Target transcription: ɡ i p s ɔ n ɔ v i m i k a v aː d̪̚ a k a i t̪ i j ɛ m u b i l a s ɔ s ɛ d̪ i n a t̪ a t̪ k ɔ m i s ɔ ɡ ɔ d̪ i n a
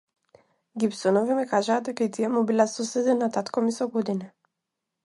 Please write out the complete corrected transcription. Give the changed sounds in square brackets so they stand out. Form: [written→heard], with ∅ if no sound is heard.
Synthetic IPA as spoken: ɡ i p s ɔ n ɔ v i m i k a [v→ʒ] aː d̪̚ [a→ɛ] k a i t̪ i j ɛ m u b i l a s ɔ s ɛ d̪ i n a t̪ a t̪ k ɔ m i s ɔ ɡ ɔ d̪ i n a